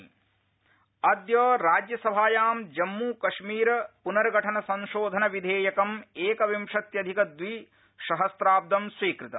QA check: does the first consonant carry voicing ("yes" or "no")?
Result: yes